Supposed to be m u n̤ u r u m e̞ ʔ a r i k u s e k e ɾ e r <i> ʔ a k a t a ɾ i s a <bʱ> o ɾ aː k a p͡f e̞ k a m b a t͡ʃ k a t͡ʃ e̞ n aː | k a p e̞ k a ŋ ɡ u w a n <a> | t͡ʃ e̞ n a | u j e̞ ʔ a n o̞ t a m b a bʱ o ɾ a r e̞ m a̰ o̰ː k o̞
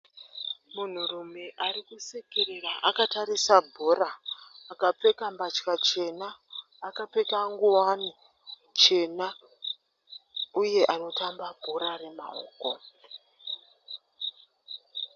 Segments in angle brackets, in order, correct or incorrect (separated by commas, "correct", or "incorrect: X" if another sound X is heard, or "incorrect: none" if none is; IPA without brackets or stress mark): incorrect: a, correct, incorrect: i